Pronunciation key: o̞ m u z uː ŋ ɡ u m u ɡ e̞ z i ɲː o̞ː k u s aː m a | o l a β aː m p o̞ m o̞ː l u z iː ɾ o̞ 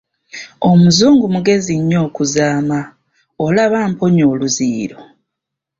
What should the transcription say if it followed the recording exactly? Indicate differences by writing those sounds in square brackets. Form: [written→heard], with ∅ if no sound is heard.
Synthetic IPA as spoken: o̞ m u z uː ŋ ɡ u m u ɡ e̞ z i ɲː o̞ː k u [s→z] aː m a | o l a β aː m p o̞ [m→ɲ] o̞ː l u z iː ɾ o̞